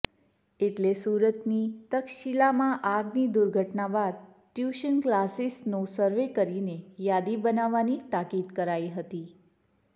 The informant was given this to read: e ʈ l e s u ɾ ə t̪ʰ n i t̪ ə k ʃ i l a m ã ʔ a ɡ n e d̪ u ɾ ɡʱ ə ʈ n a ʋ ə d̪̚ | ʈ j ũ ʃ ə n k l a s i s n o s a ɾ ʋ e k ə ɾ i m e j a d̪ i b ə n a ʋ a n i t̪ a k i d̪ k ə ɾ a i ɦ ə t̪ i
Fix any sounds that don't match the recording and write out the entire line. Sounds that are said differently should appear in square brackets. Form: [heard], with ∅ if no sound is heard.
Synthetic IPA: e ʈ l e s u ɾ ə [t̪] n i t̪ ə k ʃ i l a m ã ʔ a ɡ n [i] d̪ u ɾ ɡʱ ə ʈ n a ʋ [a] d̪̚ | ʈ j [u] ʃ ə n k l a s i s n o s [ə] ɾ ʋ e k ə ɾ i [n] e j a d̪ i b ə n a ʋ a n i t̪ a k i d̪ k ə ɾ a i ɦ ə t̪ i